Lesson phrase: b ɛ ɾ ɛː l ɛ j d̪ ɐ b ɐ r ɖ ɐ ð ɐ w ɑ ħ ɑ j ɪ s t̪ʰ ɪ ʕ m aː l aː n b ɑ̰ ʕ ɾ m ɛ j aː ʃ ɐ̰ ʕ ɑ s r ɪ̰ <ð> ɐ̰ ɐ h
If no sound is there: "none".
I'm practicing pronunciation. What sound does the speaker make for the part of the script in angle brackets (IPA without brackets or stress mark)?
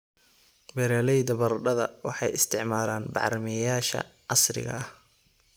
ɣ